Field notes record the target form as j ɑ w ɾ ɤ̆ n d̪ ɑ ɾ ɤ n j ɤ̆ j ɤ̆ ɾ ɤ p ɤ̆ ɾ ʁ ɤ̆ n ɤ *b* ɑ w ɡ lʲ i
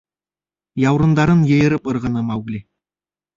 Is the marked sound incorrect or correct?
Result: incorrect